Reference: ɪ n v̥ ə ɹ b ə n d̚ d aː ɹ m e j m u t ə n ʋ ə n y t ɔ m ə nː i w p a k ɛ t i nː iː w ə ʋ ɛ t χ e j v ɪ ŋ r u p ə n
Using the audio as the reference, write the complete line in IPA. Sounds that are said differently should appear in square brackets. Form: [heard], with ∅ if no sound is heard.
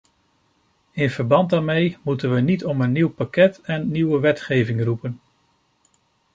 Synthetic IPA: ɪ n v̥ ə ɹ b [ɑ] n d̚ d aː ɹ m e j m u t ə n ʋ ə n [i] t ɔ m ə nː i w p a k ɛ t [ɛ] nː [i] w ə ʋ ɛ t χ e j v ɪ ŋ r u p ə n